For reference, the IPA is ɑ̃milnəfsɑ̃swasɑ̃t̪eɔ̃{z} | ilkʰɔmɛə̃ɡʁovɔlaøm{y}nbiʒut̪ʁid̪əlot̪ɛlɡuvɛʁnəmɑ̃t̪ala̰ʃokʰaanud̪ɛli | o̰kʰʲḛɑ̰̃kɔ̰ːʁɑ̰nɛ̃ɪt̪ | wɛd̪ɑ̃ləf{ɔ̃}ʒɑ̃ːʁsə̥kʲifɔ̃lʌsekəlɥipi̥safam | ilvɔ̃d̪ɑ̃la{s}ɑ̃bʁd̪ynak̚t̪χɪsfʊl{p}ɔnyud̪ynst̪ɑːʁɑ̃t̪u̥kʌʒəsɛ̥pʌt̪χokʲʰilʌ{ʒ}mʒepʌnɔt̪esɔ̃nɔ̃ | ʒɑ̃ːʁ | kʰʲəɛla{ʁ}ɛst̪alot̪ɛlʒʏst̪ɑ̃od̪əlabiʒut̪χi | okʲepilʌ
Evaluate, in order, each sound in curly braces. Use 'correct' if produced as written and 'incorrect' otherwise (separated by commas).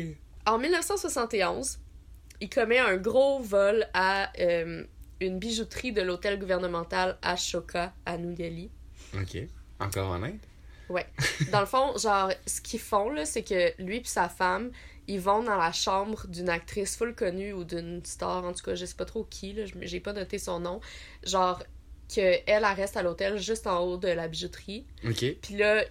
correct, correct, correct, incorrect, incorrect, correct, correct